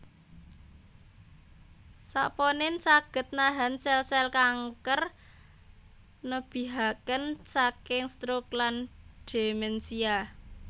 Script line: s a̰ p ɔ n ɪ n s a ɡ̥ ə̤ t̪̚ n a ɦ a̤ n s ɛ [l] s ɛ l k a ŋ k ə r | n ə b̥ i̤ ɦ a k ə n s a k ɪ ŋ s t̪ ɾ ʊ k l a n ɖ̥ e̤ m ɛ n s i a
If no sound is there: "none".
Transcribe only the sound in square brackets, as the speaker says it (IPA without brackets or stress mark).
l